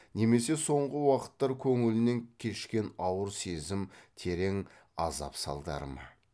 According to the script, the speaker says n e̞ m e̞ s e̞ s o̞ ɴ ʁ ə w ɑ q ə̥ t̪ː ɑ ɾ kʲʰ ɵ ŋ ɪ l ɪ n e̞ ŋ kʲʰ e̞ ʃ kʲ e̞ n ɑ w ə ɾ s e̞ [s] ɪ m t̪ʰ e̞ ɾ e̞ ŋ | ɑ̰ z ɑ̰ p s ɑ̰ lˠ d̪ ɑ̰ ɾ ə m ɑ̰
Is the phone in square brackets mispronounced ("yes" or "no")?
yes